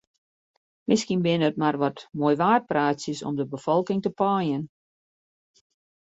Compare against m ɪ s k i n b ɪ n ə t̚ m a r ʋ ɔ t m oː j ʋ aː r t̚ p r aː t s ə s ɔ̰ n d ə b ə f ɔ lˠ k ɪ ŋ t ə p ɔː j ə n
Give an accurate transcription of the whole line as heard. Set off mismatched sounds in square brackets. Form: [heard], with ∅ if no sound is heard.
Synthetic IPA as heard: m ɪ s k i n b ɪ n ə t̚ m a r ʋ ɔ t m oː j ʋ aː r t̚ p r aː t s ə s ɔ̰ [m] d ə b ə f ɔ lˠ k ɪ ŋ t ə p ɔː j ə n

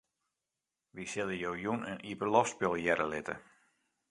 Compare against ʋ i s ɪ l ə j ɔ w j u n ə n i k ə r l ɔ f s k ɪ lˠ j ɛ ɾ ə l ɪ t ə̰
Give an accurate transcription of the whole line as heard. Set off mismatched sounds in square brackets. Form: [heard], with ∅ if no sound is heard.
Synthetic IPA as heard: ʋ i s ɪ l ə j [o] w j u n ə n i [p] ə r l ɔ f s [p] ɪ lˠ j ɛ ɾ ə l ɪ t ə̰

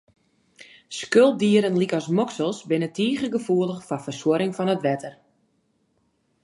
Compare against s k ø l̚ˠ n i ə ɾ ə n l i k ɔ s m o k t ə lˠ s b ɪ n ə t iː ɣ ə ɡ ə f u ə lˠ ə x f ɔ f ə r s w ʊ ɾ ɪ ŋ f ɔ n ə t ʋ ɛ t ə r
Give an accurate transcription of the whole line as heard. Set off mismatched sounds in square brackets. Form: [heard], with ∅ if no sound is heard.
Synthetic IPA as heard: s k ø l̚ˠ [d] i ə ɾ ə n l i k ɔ s m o k [s] ə lˠ s b ɪ n ə t iː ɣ ə ɡ ə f u ə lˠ ə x f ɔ f ə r s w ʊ ɾ ɪ ŋ f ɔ n ə t ʋ ɛ t ə r

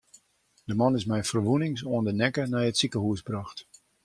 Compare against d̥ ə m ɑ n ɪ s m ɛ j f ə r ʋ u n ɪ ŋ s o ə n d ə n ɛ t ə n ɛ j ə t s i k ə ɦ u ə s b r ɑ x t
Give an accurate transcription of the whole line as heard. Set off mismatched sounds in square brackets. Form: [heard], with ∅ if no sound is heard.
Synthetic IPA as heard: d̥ ə m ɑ n ɪ s m ɛ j f ə r ʋ u n ɪ ŋ s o ə n d ə n ɛ [k] ə n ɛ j ə t s i k ə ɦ u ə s b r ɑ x t

